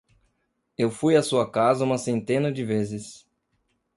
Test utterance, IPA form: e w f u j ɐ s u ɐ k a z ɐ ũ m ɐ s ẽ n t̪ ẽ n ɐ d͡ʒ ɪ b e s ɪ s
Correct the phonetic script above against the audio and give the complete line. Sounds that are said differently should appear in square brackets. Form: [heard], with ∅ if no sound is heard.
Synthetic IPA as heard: e w f u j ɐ s u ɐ k a z ɐ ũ m ɐ s ẽ n t̪ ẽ n ɐ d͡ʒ ɪ [v] e [z] ɪ s